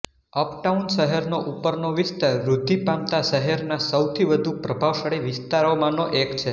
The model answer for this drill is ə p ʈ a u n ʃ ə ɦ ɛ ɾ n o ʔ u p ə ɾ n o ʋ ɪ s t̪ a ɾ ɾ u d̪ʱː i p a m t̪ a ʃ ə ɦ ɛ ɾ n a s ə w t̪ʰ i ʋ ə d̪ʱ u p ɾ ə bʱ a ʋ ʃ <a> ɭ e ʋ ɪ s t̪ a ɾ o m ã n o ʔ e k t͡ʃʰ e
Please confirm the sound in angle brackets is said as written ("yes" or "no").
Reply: no